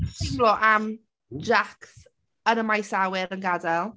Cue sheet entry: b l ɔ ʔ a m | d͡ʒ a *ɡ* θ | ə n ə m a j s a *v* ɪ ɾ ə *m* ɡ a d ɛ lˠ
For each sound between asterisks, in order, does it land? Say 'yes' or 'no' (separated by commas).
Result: no, no, no